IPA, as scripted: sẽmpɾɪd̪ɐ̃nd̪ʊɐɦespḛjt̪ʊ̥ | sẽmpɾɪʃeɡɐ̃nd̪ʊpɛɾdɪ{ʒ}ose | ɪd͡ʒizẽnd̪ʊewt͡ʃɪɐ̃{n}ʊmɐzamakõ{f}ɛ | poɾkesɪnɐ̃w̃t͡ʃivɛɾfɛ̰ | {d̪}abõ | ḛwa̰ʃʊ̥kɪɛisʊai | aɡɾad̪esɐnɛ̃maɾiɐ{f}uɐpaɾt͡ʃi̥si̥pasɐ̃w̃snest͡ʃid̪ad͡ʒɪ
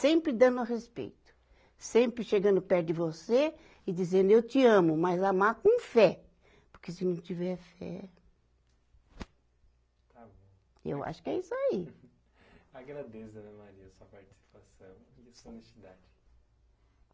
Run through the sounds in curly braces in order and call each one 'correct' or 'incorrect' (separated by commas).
incorrect, incorrect, correct, incorrect, incorrect